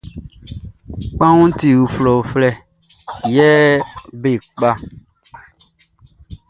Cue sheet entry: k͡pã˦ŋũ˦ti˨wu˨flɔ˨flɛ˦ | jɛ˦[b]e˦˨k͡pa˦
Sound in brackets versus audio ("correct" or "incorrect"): correct